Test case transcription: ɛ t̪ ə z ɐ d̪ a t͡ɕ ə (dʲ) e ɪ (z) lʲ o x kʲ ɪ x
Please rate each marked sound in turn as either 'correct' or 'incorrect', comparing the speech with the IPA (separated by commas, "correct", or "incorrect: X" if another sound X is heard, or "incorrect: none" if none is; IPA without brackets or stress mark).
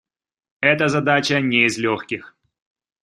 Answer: incorrect: nʲ, correct